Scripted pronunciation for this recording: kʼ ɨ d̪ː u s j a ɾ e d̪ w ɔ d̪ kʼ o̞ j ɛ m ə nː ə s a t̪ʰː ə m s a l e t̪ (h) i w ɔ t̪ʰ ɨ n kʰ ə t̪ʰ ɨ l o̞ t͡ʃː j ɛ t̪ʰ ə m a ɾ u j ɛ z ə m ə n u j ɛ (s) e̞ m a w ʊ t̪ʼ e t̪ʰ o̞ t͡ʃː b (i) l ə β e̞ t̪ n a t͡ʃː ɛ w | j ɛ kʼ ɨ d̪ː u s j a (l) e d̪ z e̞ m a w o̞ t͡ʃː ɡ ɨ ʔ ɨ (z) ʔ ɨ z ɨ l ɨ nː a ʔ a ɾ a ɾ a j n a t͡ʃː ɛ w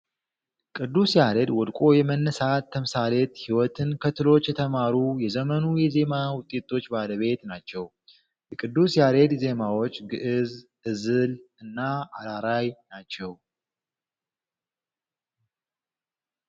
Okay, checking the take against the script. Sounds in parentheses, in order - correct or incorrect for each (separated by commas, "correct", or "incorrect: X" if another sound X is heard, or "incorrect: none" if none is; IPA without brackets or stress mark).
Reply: correct, incorrect: z, incorrect: a, incorrect: ɾ, correct